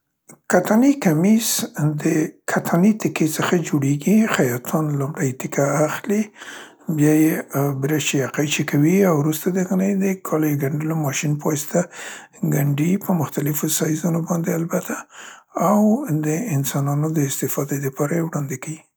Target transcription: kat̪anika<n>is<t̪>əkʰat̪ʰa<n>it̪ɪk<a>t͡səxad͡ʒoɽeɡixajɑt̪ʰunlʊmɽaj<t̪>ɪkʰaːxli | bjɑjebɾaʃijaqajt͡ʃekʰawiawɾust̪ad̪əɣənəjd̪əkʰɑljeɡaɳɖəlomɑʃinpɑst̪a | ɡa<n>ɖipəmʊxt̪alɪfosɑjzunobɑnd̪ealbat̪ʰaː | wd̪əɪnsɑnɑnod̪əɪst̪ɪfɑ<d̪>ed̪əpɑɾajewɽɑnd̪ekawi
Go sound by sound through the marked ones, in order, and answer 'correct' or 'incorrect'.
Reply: incorrect: m, incorrect: d̪, correct, incorrect: e, correct, incorrect: ɳ, correct

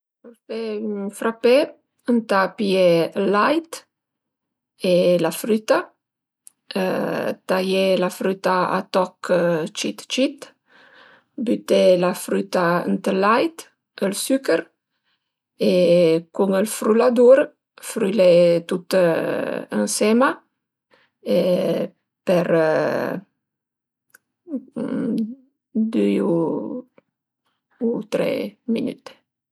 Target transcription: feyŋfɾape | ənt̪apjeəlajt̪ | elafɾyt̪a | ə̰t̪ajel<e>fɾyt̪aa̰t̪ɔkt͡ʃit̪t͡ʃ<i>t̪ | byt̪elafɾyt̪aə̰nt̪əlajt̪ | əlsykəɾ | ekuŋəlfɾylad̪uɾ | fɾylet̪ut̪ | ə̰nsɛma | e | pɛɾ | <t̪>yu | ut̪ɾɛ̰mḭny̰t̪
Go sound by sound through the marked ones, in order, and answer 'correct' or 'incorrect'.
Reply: incorrect: a, correct, incorrect: d̪

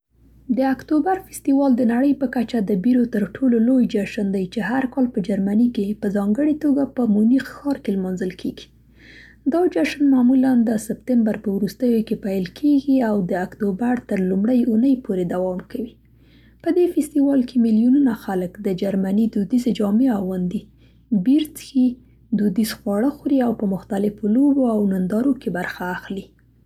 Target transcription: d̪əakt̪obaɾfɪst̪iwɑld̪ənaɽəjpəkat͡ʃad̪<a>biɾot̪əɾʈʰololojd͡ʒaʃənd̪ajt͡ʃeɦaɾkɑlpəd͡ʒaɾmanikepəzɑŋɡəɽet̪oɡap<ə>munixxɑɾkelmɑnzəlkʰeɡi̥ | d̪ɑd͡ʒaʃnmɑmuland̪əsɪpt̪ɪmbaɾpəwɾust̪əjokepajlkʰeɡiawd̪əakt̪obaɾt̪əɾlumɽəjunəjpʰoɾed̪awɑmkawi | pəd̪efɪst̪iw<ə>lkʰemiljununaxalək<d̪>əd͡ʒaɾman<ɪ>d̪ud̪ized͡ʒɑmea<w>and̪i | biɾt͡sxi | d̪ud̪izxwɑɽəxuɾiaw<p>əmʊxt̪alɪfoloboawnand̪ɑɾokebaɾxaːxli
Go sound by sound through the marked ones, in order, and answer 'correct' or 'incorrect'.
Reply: incorrect: ə, correct, incorrect: ɑ, correct, incorrect: i, correct, correct

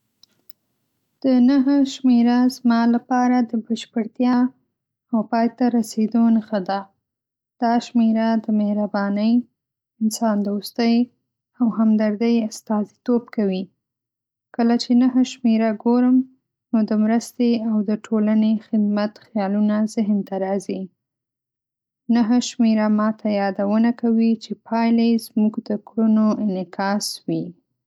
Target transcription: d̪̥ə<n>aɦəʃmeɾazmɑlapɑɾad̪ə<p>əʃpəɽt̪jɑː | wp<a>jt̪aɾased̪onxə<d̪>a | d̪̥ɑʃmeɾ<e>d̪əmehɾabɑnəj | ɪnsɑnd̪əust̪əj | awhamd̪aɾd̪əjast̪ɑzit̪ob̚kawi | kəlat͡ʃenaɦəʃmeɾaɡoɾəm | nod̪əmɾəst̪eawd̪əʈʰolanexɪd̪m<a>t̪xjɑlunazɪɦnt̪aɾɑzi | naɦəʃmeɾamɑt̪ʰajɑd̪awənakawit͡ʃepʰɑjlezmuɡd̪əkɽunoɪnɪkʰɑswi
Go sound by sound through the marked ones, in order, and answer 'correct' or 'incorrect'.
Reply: correct, incorrect: b, incorrect: ɑ, correct, incorrect: a, correct

